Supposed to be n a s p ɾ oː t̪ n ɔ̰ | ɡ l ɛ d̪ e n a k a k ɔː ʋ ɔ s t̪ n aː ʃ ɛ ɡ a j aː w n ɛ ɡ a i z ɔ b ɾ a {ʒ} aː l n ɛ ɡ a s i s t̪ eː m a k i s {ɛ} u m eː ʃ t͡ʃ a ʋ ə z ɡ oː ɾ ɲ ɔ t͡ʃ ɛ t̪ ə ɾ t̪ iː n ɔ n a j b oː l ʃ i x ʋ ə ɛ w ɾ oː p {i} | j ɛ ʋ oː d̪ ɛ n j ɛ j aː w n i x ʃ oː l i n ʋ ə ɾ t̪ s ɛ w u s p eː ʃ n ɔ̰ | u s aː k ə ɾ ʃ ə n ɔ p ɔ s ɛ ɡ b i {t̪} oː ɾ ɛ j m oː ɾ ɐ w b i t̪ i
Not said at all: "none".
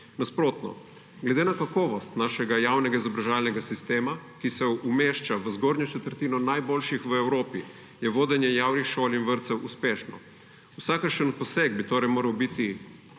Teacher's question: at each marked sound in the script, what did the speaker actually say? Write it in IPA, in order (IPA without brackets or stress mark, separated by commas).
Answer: ʒ, ɛ, i, t̪